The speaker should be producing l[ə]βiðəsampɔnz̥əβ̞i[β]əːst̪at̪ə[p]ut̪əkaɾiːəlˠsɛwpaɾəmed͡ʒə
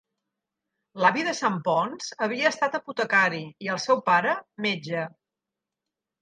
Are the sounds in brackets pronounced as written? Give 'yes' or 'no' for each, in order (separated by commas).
no, no, yes